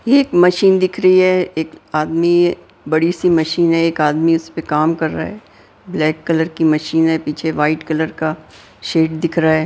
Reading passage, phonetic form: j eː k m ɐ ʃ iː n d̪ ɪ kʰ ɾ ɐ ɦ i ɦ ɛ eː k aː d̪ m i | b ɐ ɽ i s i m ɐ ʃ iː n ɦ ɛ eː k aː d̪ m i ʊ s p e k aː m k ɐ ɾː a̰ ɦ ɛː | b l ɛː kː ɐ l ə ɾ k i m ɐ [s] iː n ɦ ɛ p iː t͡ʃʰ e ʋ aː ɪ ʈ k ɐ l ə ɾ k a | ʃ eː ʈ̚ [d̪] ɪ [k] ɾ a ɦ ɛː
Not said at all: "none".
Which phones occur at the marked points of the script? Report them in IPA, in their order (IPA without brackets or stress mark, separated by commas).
ʃ, d̪, kʰ